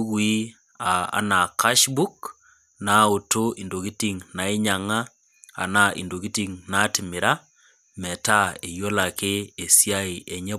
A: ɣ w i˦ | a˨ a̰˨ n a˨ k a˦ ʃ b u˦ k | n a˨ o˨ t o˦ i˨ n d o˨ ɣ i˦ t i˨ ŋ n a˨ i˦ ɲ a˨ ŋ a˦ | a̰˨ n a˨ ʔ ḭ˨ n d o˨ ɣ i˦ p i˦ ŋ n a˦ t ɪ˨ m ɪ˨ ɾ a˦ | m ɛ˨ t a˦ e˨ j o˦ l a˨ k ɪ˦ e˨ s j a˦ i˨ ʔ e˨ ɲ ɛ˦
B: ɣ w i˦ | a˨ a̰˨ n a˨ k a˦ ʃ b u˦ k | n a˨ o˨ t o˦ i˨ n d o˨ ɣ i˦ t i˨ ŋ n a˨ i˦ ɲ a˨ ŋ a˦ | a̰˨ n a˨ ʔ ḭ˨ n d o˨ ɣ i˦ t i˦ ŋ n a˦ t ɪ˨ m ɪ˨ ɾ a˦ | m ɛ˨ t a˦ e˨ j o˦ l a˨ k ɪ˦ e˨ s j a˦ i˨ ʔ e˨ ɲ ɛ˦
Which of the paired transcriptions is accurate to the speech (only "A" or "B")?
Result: B